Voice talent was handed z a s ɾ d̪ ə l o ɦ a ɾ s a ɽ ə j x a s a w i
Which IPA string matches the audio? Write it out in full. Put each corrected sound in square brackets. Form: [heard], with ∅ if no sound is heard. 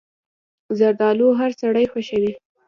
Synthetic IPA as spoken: z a [∅] ɾ d̪ [ɑ] l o ɦ a ɾ s a ɽ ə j x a [ʃ] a w i